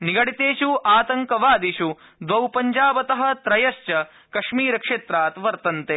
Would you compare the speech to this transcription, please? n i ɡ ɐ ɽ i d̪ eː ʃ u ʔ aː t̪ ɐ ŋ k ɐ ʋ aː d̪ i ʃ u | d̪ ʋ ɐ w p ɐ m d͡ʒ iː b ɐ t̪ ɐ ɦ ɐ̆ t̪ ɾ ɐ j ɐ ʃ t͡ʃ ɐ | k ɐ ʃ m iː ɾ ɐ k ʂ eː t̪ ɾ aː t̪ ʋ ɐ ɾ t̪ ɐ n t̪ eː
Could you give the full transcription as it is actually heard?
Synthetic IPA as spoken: n i ɡ ɐ ɽ i t̪ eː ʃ u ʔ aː t̪ ɐ ŋ k ɐ ʋ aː d̪ i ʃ u | d̪ ʋ ɐ w p ɐ ɲ d͡ʒ aː b ɐ t̪ ɐ ɦ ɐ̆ t̪ ɾ ɐ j ɐ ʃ t͡ʃ ɐ | k ɐ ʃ m iː ɾ ɐ k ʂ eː t̪ ɾ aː t̪ ʋ ɐ ɾ t̪ ɐ n t̪ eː